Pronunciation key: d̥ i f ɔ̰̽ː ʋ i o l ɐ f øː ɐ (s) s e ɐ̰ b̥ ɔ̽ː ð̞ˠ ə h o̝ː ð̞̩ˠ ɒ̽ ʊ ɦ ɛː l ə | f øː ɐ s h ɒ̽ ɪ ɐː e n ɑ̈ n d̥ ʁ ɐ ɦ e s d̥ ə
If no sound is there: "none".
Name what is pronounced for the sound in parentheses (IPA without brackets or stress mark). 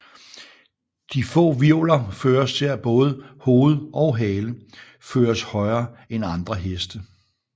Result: s